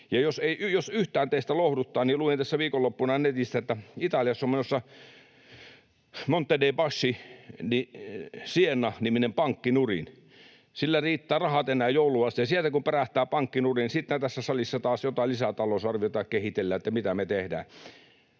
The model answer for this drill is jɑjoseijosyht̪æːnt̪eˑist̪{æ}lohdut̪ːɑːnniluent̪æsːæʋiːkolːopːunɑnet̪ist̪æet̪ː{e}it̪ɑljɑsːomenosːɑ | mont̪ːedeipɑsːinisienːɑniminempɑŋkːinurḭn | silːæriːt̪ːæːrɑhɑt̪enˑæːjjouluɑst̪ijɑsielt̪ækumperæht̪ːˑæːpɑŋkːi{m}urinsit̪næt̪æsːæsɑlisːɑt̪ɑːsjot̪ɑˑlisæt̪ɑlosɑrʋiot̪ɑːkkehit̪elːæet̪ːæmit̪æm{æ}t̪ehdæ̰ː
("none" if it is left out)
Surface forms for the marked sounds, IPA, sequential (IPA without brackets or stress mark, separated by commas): æ, æ, n, e